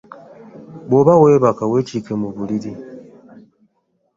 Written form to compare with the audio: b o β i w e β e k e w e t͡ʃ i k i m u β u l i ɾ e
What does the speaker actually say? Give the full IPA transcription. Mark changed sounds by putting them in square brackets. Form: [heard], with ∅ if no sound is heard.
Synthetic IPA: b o β [a] w e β [a] k [a] w e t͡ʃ i k [e] m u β u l i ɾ [i]